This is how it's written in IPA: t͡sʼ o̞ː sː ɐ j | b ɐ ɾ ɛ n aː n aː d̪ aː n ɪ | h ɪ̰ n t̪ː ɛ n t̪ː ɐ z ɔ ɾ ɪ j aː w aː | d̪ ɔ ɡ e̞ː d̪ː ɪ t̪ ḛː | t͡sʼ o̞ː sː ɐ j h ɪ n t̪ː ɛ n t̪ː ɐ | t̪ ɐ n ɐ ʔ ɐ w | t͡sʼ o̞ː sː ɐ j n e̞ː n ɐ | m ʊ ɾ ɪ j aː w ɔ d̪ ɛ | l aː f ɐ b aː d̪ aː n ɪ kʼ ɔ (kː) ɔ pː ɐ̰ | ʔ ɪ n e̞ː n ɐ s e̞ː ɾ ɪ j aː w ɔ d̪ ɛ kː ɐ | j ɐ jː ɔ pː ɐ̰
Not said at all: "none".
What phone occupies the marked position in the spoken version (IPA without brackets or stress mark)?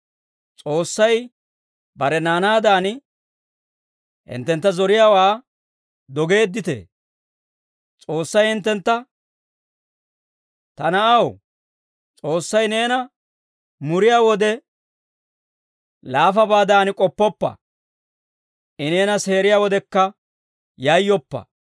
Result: pː